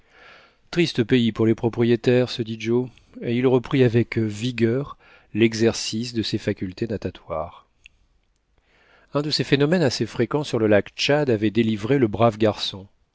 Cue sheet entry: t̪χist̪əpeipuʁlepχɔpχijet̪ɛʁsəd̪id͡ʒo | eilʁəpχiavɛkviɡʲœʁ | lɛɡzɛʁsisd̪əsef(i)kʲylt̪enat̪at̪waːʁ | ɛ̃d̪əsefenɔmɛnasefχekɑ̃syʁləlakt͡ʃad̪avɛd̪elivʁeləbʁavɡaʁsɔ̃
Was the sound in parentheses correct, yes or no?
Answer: no